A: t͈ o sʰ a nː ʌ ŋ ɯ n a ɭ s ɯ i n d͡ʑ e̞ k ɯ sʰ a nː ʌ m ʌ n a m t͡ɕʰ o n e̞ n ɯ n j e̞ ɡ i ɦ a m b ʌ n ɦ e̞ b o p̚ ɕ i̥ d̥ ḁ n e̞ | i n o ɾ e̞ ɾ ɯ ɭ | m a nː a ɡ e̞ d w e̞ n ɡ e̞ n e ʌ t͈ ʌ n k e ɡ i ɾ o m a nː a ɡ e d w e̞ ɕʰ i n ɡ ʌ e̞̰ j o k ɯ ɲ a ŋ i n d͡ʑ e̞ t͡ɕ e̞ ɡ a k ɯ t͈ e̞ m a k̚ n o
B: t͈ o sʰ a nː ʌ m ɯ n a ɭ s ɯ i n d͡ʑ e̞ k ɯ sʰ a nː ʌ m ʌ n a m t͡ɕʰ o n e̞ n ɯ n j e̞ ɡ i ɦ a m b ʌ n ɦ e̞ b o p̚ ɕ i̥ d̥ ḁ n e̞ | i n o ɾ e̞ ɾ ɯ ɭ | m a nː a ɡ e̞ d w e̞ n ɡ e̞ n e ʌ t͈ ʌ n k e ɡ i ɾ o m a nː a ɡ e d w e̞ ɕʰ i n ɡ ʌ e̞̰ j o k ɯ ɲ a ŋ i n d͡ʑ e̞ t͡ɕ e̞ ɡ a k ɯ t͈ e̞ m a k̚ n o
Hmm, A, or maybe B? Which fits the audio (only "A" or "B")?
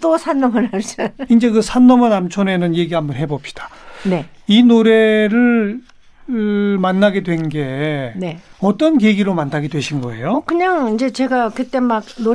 B